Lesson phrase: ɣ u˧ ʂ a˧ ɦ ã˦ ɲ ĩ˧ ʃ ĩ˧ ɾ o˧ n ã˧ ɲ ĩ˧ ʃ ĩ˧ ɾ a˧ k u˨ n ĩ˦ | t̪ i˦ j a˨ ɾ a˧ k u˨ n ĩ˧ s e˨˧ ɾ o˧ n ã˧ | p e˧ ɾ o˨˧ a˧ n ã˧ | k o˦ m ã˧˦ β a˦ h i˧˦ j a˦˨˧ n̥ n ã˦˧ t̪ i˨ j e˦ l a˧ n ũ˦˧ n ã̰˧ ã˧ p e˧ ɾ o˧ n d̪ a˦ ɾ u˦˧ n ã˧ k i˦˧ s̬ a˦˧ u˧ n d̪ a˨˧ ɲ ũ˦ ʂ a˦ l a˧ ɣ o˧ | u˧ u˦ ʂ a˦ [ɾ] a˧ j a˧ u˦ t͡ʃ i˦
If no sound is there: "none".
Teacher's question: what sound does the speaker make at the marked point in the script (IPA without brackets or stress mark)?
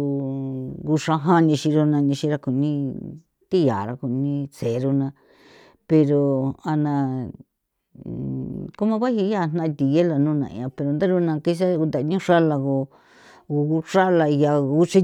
l